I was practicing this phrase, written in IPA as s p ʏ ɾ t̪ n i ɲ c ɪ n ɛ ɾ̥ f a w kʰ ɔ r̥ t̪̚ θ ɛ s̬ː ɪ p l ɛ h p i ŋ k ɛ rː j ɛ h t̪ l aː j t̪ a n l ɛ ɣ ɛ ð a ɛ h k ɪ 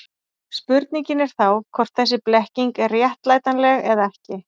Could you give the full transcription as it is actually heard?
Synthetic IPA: s p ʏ ɾ t̪ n i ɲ c ɪ n ɛ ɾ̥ θ a w kʰ ɔ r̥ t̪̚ θ ɛ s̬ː ɪ p l ɛ h c i ŋ k ɛ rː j ɛ h t̪ l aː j t̪ a n l ɛ ɣ ɛ ð a ɛ h c ɪ